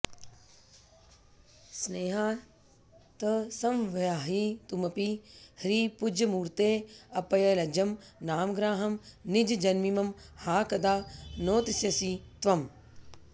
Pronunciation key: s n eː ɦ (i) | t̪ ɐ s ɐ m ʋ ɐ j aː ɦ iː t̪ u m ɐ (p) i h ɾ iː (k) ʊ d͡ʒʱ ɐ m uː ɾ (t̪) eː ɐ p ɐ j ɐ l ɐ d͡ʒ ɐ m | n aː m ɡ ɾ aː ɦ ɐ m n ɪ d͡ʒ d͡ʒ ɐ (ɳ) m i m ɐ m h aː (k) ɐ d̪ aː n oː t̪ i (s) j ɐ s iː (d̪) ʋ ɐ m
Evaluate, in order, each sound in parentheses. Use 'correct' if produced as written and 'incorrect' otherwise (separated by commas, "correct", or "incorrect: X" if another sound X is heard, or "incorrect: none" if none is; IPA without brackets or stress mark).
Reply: incorrect: a, correct, incorrect: p, correct, incorrect: n, correct, correct, incorrect: t̪